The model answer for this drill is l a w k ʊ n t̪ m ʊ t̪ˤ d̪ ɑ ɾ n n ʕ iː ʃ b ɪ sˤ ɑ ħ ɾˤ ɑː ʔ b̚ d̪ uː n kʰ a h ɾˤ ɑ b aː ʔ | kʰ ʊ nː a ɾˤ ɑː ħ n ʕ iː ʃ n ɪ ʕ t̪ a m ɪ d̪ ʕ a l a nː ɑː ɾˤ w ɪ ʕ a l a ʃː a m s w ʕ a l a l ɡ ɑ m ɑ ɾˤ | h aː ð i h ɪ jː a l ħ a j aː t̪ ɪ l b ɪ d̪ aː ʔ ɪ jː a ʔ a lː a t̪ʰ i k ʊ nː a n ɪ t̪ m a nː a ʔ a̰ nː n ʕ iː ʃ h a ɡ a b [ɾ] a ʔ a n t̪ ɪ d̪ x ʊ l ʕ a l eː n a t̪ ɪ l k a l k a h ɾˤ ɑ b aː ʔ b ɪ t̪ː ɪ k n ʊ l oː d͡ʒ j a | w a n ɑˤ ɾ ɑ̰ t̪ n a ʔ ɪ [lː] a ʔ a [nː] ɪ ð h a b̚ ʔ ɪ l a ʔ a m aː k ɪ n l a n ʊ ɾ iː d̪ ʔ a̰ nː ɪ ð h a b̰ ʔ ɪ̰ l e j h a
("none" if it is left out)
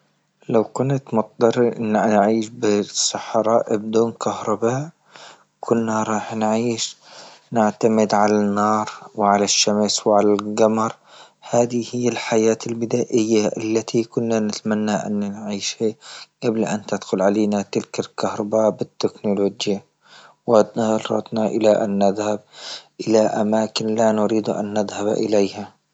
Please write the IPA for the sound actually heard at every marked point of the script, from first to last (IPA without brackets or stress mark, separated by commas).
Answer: l, l, nː